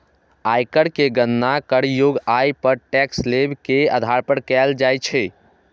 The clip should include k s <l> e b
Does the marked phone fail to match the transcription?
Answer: no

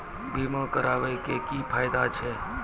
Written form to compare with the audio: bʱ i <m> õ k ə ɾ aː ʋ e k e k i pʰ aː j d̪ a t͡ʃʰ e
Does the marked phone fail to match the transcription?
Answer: no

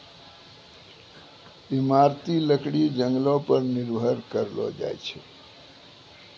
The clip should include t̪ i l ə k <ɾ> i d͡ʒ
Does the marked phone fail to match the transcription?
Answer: yes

